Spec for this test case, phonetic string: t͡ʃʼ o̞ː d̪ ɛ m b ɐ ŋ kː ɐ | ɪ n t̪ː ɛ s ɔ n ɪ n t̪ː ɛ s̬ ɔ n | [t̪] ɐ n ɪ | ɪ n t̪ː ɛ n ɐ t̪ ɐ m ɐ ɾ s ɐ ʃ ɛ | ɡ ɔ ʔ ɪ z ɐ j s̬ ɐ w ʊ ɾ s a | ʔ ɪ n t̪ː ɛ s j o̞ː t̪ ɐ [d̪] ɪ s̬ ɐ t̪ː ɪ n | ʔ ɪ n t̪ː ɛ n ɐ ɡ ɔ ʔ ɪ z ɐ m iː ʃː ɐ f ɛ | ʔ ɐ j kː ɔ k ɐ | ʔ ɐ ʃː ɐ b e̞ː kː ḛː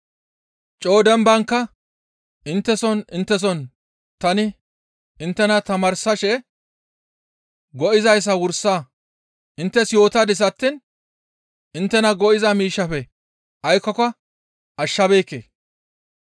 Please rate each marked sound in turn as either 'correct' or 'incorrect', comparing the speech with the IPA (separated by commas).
correct, correct